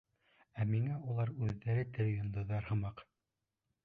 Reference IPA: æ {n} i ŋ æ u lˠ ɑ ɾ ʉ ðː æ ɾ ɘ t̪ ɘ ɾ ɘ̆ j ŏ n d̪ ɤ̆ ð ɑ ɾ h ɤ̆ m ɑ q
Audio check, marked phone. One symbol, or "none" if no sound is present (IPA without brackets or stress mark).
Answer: m